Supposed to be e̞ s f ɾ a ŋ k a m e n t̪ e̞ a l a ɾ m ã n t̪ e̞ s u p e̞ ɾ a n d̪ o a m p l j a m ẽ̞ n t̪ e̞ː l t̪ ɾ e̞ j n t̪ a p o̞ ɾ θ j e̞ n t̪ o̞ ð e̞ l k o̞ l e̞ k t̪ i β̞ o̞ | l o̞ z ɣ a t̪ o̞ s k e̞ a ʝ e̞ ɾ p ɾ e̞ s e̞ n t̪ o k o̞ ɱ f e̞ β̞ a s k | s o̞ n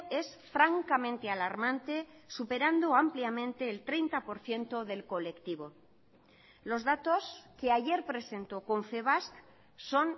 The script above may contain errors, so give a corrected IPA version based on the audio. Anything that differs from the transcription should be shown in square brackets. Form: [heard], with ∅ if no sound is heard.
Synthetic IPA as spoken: e̞ s f ɾ a ŋ k a m [ẽ] n t̪ e̞ a l a ɾ m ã n t̪ e̞ s u p e̞ ɾ a n d̪ o a m p l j a m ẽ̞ n t̪ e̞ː l t̪ ɾ e̞ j n t̪ a p o̞ ɾ θ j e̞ n t̪ o̞ ð e̞ l k o̞ l e̞ k t̪ i β̞ o̞ | l o̞ z [ð] a t̪ o̞ s k e̞ a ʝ e̞ ɾ p ɾ e̞ s e̞ n t̪ o k o̞ ɱ f e̞ β̞ a s k | s o̞ n